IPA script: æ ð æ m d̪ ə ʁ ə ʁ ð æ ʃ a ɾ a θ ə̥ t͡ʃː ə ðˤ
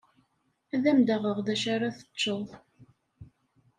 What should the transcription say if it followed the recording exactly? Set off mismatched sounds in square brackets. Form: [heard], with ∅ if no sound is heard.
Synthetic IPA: æ ð æ m d̪ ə ʁ ə ʁ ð æ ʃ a ɾ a θ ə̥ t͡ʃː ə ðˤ